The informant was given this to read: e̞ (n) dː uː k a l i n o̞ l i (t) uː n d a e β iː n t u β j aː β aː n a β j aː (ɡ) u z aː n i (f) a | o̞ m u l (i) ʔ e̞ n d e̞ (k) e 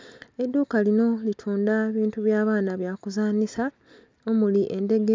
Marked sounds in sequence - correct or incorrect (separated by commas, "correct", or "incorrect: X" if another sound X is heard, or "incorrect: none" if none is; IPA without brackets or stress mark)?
incorrect: none, incorrect: tʰ, incorrect: k, incorrect: s, correct, incorrect: ɡ